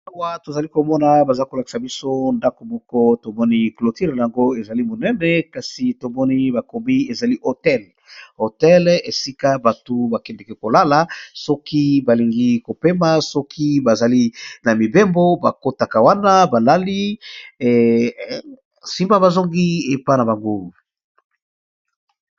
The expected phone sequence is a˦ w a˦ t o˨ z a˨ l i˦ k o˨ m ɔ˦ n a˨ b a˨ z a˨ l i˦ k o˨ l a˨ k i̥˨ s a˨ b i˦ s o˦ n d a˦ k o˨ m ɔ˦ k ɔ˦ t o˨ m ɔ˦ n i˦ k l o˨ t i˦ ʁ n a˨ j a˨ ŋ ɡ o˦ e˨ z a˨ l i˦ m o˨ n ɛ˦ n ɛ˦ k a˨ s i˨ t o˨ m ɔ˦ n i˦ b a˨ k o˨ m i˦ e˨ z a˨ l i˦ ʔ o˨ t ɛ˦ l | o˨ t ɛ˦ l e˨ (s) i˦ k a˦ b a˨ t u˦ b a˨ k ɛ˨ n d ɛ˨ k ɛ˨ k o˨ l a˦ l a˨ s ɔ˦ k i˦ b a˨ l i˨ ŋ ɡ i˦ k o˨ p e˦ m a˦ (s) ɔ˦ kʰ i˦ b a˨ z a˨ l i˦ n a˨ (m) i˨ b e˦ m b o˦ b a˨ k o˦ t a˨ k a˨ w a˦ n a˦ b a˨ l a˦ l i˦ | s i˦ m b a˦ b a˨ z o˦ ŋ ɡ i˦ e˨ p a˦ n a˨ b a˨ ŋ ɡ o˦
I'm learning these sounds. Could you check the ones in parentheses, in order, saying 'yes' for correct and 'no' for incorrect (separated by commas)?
yes, yes, yes